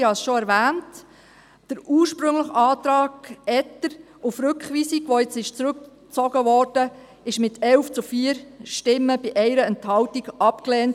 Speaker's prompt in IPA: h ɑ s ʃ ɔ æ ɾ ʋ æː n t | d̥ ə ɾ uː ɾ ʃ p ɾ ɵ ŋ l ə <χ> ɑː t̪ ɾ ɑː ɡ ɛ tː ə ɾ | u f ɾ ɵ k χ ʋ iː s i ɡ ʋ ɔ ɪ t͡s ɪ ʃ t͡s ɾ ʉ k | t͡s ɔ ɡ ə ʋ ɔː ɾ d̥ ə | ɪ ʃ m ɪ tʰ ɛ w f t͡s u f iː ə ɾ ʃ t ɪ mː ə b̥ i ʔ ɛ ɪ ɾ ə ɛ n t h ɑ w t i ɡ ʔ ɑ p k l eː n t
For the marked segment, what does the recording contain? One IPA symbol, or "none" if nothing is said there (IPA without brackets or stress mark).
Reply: χ